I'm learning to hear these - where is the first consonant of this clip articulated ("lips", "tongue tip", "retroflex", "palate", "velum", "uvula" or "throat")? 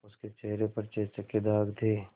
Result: tongue tip